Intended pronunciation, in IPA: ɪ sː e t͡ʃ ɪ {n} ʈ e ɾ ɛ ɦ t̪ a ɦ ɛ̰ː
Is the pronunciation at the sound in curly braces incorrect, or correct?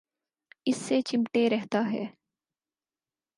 incorrect